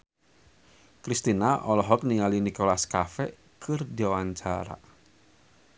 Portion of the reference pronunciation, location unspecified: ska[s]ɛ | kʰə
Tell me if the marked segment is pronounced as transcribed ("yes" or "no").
no